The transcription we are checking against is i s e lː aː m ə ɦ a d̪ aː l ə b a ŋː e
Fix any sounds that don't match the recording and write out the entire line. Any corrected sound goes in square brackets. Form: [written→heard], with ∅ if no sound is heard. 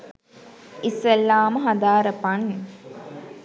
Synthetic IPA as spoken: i s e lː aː m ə ɦ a d̪ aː [l→ɾ] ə [b→p] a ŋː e

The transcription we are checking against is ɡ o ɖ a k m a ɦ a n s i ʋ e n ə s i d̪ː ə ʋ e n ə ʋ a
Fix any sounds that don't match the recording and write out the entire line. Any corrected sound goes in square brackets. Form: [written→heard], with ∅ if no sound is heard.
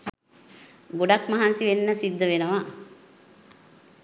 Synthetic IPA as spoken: ɡ o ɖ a k m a ɦ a n s i ʋ e [n→nː] ə s i d̪ː ə ʋ e n ə ʋ a

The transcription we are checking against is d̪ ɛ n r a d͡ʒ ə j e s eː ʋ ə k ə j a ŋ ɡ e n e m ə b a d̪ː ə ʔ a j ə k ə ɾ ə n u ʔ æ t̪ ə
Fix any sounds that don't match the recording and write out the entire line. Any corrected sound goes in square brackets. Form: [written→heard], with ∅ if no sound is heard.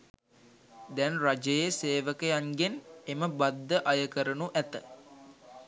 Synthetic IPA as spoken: d̪ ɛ n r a d͡ʒ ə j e s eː ʋ ə k ə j a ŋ ɡ e n e m ə b a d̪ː ə ʔ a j ə k ə ɾ ə n u ʔ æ t̪ ə

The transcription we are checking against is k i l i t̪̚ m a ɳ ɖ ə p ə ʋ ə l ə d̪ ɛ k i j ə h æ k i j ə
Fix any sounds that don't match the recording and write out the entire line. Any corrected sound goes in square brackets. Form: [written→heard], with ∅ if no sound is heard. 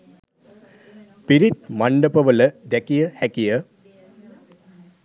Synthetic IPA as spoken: [k→p] i [l→ɾ] i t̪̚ m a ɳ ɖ ə p ə ʋ ə l ə d̪ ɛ k i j ə h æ k i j ə

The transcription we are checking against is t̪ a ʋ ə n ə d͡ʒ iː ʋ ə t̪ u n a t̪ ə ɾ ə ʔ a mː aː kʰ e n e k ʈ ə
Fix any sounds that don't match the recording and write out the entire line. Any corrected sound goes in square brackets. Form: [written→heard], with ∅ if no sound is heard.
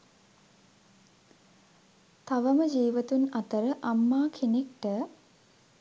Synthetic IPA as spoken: t̪ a ʋ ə [n→m] ə d͡ʒ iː ʋ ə t̪ u n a t̪ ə ɾ ə ʔ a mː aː kʰ e n e k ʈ ə

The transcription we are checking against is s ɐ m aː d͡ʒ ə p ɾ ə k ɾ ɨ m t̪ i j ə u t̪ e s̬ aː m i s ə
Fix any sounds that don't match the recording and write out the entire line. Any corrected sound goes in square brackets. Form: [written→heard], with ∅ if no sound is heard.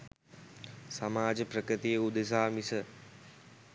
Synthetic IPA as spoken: s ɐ m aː d͡ʒ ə p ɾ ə k ɾ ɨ [m→∅] t̪ i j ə u [t̪→d̪] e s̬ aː m i s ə

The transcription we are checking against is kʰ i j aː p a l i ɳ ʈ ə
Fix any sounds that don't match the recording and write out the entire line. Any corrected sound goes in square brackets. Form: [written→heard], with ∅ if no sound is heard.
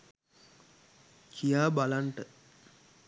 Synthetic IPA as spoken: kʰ i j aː [p→b] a l [i→a] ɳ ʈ ə

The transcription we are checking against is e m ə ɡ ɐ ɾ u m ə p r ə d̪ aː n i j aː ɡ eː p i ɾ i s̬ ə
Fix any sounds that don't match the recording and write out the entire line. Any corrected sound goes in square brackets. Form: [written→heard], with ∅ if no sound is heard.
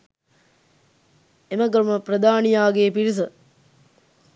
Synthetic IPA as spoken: e m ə ɡ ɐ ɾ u m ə p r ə d̪ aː n i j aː ɡ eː p i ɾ i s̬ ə

